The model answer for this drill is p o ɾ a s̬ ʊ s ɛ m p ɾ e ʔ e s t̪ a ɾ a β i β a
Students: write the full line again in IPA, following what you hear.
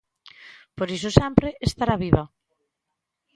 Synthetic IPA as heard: p o ɾ i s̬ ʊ s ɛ m p ɾ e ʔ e s t̪ a ɾ a β i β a